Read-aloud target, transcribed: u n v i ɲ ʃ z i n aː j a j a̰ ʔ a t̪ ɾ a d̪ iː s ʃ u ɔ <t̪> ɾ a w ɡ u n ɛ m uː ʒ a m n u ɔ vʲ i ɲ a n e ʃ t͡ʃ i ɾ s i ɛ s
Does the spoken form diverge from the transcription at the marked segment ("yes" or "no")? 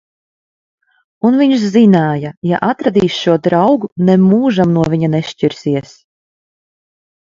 yes